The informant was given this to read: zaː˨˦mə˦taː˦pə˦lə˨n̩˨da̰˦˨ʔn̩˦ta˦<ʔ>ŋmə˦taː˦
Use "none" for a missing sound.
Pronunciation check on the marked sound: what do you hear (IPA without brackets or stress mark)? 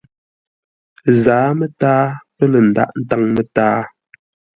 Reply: none